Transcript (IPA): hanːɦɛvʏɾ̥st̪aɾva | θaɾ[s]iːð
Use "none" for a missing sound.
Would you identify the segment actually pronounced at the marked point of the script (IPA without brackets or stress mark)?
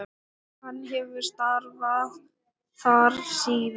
s